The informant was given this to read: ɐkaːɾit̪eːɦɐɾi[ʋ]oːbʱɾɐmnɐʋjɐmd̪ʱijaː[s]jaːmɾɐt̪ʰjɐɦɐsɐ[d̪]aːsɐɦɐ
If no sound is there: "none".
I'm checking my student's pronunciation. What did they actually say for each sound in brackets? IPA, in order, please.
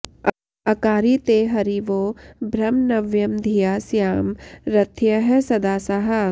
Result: ʋ, s, d̪

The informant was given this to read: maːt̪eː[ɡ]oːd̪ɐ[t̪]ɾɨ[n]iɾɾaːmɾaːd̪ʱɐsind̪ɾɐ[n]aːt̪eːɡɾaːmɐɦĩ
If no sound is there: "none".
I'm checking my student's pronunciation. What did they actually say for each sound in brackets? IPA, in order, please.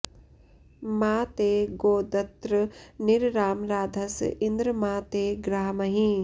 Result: ɡ, t̪, n, m

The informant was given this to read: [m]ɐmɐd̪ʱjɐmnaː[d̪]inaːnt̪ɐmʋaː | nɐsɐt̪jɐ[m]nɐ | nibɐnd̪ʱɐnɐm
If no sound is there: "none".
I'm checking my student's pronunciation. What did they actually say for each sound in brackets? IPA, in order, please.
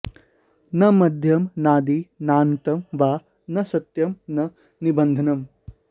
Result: n, d̪, m

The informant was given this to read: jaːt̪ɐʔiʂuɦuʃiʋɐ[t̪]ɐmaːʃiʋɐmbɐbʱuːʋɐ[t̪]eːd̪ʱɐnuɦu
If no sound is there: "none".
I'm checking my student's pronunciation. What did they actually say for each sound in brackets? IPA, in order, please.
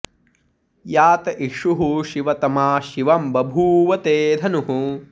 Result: t̪, t̪

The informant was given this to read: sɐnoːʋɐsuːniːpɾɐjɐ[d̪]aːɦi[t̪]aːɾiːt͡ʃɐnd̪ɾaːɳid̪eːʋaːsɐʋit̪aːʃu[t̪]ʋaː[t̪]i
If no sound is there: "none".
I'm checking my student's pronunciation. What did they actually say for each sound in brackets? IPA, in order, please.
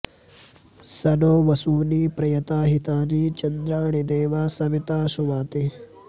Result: t̪, t̪, none, t̪

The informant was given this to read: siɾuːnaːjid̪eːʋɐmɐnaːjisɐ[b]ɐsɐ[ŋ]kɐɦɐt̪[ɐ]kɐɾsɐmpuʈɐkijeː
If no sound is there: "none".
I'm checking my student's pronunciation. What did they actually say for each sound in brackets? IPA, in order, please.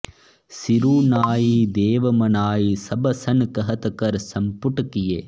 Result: b, n, ɐ

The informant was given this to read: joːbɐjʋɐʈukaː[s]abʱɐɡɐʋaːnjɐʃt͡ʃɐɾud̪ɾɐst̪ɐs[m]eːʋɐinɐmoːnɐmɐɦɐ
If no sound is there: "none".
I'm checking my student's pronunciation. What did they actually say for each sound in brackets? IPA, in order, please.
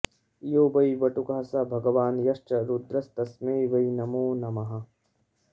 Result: s, m

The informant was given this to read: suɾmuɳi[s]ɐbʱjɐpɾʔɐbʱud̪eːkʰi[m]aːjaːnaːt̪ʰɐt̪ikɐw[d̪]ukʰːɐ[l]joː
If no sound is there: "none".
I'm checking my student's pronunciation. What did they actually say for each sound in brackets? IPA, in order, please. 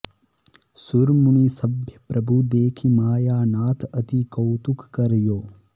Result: s, m, t̪, ɾ

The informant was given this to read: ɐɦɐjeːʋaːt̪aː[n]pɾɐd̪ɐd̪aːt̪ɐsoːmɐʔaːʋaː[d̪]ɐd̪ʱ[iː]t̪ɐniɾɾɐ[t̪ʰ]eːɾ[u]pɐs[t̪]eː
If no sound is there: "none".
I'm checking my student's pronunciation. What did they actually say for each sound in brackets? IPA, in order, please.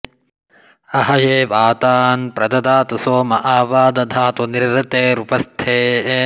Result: n, d̪, aː, t̪, u, t̪ʰ

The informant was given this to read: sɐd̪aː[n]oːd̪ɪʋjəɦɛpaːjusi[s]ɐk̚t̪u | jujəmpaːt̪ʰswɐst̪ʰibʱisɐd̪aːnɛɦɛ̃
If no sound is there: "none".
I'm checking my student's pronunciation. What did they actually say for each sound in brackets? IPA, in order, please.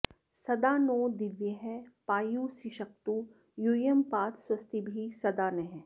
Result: n, ʃ

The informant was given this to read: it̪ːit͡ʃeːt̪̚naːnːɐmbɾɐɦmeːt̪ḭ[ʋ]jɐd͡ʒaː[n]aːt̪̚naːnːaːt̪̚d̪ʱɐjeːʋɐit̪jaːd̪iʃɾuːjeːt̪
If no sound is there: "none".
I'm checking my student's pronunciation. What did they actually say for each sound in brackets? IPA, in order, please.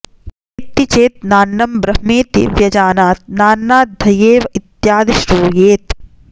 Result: ʋ, n

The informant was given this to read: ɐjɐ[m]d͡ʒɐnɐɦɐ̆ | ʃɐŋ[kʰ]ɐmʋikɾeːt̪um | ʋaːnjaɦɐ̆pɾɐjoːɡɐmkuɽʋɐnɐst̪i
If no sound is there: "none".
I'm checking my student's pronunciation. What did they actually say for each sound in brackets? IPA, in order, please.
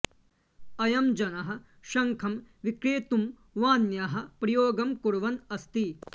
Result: m, kʰ

